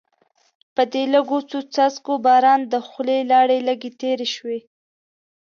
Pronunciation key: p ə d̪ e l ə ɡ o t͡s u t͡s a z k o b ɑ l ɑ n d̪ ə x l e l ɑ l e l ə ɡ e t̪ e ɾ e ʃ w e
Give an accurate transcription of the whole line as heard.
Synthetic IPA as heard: p ə d̪ e l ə ɡ o t͡s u t͡s a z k o b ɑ ɾ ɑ n d̪ ə x l e l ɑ ɽ e l ə ɡ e t̪ e ɾ e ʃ w e